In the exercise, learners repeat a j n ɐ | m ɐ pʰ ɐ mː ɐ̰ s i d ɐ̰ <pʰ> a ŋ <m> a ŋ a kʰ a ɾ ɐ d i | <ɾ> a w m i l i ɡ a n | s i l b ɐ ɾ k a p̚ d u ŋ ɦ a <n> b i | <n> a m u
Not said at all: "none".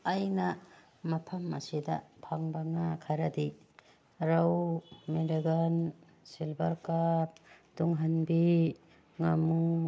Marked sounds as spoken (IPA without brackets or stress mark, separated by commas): pʰ, b, ɾ, n, ŋ